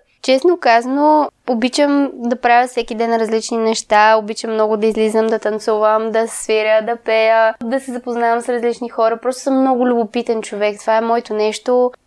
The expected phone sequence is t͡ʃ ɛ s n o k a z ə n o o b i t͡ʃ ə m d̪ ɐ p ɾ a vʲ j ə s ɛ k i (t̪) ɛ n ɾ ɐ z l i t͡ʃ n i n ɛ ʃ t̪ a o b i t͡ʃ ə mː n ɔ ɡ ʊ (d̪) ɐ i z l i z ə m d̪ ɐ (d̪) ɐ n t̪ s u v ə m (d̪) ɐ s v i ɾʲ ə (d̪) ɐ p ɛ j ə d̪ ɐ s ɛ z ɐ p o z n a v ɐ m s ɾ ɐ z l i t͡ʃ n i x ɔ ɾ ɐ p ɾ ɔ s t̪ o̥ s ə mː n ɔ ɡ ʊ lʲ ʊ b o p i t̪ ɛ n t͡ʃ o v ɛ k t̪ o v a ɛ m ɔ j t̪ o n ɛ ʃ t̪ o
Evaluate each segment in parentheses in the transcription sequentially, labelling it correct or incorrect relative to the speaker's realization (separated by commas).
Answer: incorrect, correct, incorrect, correct, correct